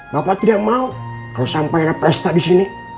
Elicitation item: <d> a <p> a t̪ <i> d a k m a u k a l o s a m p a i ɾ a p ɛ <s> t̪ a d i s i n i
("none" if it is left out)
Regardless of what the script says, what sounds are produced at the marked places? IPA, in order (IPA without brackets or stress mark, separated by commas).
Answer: b, p, i, s